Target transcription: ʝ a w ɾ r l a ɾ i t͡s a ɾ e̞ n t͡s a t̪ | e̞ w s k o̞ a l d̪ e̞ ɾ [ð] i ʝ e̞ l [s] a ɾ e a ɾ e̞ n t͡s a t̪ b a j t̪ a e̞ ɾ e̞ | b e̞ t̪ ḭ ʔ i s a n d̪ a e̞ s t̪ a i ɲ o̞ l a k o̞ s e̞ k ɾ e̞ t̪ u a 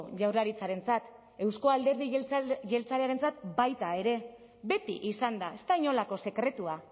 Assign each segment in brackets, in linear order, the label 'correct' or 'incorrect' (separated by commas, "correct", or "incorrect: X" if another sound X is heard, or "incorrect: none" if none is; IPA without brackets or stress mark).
correct, incorrect: t͡s